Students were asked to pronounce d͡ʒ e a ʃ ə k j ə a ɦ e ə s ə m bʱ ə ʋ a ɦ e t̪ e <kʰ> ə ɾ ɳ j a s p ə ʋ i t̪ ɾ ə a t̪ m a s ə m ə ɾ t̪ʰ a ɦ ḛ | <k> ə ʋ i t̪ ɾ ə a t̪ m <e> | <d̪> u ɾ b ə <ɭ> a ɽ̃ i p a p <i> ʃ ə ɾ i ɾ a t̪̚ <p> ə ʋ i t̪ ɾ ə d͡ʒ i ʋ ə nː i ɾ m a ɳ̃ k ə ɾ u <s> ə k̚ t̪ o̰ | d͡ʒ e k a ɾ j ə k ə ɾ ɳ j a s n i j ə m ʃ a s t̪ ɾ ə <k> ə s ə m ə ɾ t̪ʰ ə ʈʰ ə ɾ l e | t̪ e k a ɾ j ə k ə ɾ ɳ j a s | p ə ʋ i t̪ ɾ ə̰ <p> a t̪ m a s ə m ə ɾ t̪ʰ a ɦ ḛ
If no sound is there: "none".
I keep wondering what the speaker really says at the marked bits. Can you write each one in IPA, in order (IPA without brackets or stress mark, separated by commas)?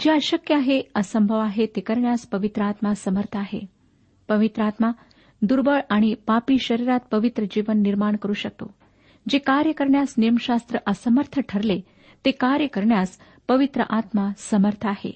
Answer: k, p, a, d̪, ɭ, i, p, ʃ, ʔ, ʔ